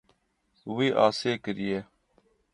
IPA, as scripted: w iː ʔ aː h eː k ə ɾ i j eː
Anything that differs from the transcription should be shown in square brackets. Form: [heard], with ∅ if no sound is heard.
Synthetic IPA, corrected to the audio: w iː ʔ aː [s] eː k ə ɾ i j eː